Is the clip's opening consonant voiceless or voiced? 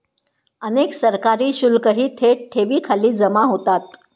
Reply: voiced